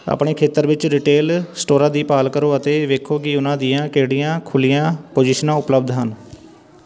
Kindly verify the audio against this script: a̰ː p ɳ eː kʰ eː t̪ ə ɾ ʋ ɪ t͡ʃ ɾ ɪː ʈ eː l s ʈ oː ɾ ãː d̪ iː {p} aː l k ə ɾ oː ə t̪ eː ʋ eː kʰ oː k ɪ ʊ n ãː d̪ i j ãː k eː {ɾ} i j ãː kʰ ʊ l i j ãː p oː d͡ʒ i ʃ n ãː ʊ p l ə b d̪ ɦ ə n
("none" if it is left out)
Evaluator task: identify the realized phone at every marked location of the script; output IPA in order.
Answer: p, ɽ

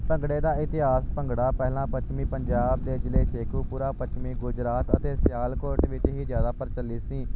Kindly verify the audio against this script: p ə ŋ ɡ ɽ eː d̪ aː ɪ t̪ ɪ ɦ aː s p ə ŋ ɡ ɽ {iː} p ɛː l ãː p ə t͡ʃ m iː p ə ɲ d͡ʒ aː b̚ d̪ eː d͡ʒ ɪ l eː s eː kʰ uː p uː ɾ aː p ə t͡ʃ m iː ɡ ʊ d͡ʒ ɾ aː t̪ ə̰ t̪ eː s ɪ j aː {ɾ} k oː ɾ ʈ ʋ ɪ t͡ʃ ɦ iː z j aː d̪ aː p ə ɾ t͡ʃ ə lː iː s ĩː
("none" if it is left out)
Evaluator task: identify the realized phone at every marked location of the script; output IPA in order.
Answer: aː, l

